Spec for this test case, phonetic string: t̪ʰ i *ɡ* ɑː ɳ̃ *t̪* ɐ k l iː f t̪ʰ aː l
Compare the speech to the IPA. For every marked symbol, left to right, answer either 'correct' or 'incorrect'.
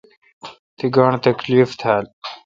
correct, correct

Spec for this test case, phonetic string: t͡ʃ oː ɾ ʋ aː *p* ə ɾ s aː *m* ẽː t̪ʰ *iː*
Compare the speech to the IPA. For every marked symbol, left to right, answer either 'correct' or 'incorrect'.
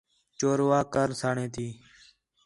incorrect, incorrect, correct

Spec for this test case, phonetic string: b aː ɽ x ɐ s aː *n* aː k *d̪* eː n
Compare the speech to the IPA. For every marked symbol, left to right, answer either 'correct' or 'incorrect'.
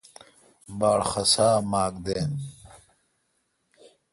incorrect, correct

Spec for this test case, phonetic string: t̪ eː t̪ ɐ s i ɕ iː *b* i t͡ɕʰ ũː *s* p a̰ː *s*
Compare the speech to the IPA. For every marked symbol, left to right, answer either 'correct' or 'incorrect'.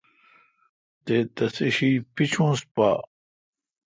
incorrect, correct, incorrect

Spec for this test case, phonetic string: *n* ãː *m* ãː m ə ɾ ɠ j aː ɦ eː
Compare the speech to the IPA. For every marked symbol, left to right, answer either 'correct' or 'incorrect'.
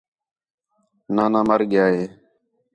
correct, incorrect

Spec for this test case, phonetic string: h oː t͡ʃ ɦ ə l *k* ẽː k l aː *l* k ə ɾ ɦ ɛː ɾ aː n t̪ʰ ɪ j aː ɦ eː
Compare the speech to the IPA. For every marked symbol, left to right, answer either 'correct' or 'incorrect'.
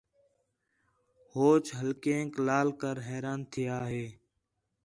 correct, correct

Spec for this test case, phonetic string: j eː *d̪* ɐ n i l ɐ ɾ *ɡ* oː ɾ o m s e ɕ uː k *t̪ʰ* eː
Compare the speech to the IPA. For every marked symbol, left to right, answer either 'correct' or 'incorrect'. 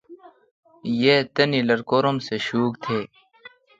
incorrect, incorrect, correct

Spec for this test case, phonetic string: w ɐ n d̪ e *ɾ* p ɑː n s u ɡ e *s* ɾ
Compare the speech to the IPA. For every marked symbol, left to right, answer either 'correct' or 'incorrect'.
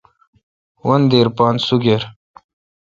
correct, incorrect

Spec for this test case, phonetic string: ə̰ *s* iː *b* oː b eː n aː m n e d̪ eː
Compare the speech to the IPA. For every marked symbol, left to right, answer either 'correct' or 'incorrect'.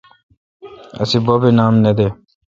correct, correct

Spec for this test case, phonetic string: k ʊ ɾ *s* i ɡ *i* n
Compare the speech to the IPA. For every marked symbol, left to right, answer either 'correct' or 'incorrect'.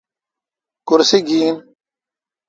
correct, incorrect

